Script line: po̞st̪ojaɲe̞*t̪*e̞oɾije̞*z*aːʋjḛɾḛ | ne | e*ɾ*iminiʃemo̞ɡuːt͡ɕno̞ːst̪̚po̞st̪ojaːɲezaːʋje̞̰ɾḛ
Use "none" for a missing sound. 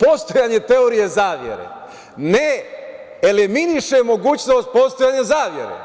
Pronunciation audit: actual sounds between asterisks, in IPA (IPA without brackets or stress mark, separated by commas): t̪, z, l